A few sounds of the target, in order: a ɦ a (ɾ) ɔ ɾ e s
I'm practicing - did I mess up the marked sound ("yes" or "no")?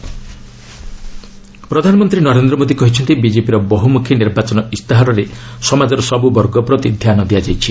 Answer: no